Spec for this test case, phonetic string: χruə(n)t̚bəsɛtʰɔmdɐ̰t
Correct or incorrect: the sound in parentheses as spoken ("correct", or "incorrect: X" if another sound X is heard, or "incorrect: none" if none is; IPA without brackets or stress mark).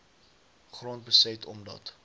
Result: correct